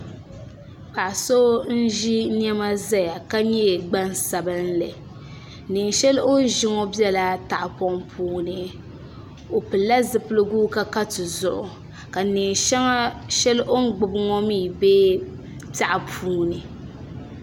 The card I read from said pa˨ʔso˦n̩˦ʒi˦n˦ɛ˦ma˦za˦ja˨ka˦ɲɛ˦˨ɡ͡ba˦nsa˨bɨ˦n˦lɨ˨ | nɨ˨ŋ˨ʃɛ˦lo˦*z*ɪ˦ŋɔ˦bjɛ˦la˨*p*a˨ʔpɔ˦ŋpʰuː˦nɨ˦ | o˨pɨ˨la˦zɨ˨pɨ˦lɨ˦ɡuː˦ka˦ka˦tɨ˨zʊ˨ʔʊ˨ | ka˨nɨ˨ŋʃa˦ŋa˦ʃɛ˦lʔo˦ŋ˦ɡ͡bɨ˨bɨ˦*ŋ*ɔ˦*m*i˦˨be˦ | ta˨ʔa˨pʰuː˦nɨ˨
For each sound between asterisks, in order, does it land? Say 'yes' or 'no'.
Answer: no, no, yes, yes

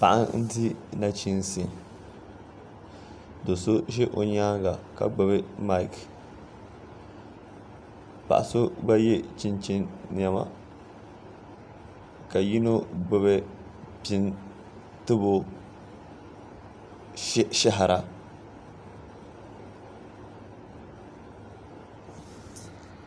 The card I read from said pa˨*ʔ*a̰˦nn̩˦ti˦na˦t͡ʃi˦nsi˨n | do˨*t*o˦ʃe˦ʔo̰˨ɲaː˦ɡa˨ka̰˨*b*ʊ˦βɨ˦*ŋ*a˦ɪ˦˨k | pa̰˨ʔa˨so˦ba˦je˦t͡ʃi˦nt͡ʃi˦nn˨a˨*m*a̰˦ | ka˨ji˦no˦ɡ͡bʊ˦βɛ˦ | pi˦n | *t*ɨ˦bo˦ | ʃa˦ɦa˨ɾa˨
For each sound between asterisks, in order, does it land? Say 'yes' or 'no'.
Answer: yes, no, no, no, yes, yes

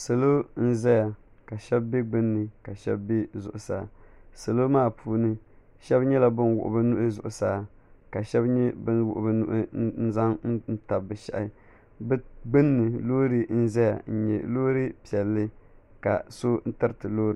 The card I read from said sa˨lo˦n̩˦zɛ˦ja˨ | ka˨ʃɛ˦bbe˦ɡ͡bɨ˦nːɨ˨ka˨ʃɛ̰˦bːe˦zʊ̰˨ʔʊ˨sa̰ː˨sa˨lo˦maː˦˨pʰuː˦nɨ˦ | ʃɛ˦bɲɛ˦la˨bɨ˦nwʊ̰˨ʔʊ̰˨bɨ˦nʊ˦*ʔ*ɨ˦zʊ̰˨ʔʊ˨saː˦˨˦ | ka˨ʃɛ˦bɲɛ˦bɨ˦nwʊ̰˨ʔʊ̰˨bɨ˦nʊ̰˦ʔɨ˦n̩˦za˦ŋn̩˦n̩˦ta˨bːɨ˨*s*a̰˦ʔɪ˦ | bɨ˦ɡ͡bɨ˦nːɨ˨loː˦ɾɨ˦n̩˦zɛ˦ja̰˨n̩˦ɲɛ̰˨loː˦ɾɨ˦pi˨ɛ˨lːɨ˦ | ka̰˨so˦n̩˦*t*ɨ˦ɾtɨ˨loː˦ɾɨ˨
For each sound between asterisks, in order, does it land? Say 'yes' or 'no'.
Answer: yes, no, yes

